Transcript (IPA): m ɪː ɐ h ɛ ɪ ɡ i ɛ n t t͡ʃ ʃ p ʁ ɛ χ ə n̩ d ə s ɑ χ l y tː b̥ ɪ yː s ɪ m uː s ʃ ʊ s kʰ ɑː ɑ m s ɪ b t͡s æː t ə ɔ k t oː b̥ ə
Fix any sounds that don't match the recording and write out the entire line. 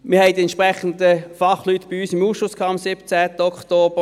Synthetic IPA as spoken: m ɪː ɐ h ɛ ɪ d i ɛ n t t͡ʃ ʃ p ʁ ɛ χ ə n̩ d ə f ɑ χ l y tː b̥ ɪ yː s ɪ m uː s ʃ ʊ s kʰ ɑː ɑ m s ɪ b t͡s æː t ə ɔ k t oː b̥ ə